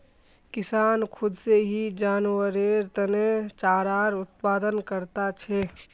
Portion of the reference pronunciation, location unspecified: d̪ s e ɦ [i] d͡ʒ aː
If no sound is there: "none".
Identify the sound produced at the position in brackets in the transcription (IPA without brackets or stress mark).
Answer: i